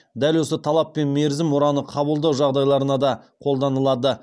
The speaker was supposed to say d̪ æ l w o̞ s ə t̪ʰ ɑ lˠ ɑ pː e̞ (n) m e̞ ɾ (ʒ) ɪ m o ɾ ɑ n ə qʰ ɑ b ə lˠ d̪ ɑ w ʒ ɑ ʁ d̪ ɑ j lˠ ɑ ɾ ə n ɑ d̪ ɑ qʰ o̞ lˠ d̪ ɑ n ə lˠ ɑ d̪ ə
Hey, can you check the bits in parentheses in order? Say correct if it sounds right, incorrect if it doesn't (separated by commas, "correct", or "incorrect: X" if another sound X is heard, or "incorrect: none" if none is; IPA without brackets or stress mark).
correct, incorrect: z